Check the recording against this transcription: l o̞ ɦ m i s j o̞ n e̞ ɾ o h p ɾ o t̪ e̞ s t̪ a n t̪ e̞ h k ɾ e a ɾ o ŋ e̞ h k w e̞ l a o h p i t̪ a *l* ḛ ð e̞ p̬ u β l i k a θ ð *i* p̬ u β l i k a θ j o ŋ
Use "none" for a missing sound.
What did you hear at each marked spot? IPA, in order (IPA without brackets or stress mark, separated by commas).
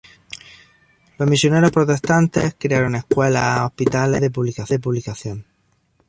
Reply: l, e